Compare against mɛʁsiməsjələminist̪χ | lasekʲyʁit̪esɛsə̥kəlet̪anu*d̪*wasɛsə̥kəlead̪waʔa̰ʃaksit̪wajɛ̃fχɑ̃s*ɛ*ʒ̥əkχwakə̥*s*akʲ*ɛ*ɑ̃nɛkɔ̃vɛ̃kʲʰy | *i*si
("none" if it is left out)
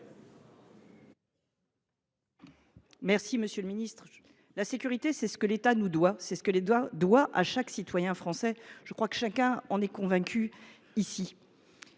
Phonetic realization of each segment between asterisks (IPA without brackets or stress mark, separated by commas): d̪, ɛ, ʃ, ɛ̃, i